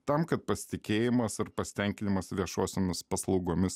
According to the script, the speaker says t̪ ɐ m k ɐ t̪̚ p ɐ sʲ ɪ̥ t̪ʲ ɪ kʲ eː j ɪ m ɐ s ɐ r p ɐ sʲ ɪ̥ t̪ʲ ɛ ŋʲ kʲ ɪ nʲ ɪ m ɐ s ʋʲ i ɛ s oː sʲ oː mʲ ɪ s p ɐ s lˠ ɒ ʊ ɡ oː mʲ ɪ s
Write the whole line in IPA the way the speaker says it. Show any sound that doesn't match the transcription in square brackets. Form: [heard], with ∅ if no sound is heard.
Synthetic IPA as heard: t̪ ɐ m k ɐ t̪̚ p ɐ sʲ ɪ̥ t̪ʲ ɪ kʲ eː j ɪ m ɐ s ɐ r p ɐ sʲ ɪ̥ t̪ʲ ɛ ŋʲ kʲ ɪ nʲ ɪ m ɐ s ʋʲ i ɛ [ʃ] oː sʲ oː mʲ ɪ s p ɐ s lˠ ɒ ʊ ɡ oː mʲ ɪ s